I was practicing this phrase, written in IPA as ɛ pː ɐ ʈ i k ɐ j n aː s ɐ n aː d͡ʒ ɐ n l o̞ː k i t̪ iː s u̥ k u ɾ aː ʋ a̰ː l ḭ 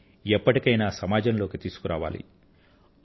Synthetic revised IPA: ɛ pː ɐ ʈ i k ɐ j n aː s ɐ m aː d͡ʒ ɐ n l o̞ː k i t̪ iː s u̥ k u ɾ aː ʋ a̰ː l ḭ

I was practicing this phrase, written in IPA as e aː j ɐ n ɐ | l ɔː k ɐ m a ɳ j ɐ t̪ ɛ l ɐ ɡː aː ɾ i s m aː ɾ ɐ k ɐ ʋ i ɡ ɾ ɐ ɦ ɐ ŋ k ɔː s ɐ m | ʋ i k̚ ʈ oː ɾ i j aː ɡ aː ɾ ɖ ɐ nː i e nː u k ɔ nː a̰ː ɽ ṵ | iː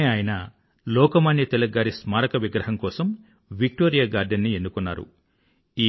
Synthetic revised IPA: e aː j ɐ n ɐ | l ɔː k ɐ m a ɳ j ɐ t̪ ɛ l ɐ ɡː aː ɾ i s m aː ɾ ɐ k ɐ ʋ i ɡ ɾ ɐ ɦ ɐ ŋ k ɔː s ɐ m | ʋ i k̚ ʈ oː ɾ i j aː ɡ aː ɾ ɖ ɐ nː i e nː u k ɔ nː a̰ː ɾ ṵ | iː

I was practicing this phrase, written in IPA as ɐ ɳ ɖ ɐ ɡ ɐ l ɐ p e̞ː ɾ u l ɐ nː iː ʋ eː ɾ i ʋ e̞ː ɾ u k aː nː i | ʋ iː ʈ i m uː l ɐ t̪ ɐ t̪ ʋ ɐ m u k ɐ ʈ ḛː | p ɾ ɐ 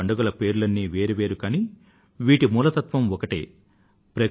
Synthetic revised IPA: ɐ ɳ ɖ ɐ ɡ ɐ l ɐ p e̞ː ɾ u l ɐ nː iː ʋ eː ɾ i ʋ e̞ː ɾ u k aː n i | ʋ iː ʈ i m uː l ɐ t̪ ɐ t̪ ʋ ɐ m ɔ k ɐ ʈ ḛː | p ɾ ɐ

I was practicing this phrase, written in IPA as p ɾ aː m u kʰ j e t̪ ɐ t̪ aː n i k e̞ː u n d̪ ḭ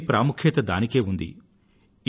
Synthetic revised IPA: p ɾ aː m u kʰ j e t̪ ɐ d̪ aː n i k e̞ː u n d̪ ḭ

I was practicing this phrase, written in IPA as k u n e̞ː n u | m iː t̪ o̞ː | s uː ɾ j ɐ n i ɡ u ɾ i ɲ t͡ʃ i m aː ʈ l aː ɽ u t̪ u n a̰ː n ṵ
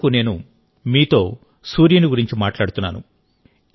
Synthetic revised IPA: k u n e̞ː n u | m iː t̪ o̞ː | s uː ɾ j ɐ n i ɡ u ɾ i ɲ t͡ʃ i m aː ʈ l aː ɽ u t̪ u nː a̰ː n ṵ

